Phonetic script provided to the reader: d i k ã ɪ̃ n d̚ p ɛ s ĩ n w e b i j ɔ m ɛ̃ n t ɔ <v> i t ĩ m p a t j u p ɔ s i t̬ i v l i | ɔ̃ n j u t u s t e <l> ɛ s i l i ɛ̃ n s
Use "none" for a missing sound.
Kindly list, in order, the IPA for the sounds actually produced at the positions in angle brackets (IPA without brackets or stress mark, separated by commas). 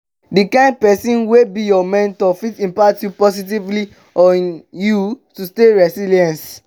f, ɹ